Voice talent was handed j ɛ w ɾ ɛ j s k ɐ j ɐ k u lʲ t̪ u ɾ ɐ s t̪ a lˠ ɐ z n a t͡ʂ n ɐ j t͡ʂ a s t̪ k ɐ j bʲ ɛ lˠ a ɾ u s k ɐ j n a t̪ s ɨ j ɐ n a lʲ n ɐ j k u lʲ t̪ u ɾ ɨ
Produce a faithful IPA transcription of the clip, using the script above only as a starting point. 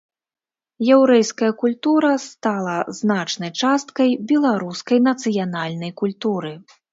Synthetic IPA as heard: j ɛ w ɾ ɛ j s k ɐ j ɐ k u lʲ t̪ u ɾ ɐ s t̪ a lˠ ɐ z n a t͡ʂ n ɐ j t͡ʂ a s t̪ k ɐ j bʲ ɛ lˠ a ɾ u s k ɐ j n ɐ t̪ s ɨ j a n a lʲ n ɐ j k u lʲ t̪ u ɾ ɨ